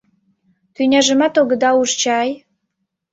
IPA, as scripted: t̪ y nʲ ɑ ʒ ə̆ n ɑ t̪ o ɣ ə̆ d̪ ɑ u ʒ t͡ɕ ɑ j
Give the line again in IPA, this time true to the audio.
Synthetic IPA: t̪ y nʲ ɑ ʒ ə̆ m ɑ t̪ o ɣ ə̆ d̪ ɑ u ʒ t͡ɕ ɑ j